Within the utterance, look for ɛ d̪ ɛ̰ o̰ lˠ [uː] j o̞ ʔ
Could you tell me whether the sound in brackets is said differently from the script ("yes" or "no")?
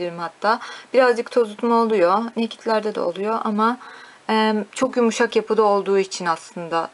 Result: yes